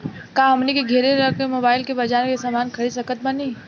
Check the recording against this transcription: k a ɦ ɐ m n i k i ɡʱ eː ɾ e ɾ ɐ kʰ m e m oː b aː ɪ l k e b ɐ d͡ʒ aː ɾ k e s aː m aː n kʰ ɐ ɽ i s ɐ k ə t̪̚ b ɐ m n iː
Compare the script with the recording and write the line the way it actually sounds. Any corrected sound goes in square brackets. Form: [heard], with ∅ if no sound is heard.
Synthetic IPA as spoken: k a ɦ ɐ m n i k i ɡʱ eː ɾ e ɾ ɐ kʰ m e m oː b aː ɪ l k e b ɐ d͡ʒ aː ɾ k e s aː m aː n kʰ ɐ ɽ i s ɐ k ə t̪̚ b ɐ [∅] n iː